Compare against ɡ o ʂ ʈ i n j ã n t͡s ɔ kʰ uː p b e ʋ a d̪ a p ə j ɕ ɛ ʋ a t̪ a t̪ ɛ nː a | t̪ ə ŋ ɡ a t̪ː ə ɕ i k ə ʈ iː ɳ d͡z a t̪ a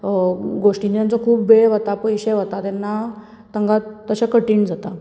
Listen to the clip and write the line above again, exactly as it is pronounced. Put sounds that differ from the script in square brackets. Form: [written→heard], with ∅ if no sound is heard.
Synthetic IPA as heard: ɡ o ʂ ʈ i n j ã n t͡s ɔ kʰ uː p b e ʋ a [d̪→t̪] a p ə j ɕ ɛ ʋ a t̪ a t̪ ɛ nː a | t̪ ə ŋ ɡ a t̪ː ə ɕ [i→a] k ə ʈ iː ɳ d͡z a t̪ a